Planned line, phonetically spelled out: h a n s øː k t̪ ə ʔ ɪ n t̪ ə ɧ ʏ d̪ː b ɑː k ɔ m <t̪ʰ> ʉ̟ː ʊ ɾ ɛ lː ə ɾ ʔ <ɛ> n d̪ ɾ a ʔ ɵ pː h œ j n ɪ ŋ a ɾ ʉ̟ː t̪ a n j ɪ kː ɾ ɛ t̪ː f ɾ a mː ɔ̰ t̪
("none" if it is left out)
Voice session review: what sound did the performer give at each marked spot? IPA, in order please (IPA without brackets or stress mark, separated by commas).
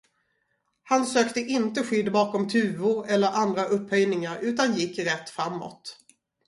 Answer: t̪ʰ, a